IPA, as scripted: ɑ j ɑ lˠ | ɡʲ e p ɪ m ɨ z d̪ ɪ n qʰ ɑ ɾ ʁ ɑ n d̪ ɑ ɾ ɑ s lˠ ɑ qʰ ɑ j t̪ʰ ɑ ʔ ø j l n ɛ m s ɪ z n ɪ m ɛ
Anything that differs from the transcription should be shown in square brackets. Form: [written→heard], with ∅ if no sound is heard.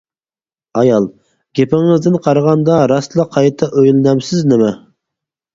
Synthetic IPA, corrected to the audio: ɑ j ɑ lˠ | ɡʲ e p ɪ [m→ŋ] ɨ z d̪ ɪ n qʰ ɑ ɾ ʁ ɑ n d̪ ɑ ɾ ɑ s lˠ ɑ qʰ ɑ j t̪ʰ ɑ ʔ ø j l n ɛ m s ɪ z n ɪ m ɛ